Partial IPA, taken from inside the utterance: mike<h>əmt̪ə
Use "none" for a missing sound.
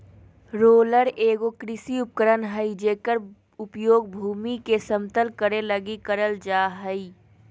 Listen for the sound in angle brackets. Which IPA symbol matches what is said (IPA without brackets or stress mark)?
s